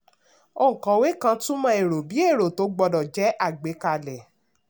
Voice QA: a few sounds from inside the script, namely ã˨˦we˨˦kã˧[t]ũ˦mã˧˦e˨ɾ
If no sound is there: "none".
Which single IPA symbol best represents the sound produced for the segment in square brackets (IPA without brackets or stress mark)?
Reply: t